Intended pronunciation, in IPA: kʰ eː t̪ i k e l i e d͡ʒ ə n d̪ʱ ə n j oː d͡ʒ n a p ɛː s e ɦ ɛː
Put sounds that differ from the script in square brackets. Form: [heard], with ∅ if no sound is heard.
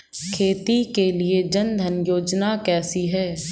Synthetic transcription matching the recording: kʰ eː t̪ i k e l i e d͡ʒ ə n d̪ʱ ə n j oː d͡ʒ n a [k] ɛː s [i] ɦ ɛː